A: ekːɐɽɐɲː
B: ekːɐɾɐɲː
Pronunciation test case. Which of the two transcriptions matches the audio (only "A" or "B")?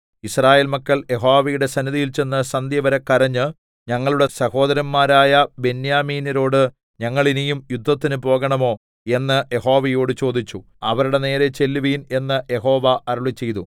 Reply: B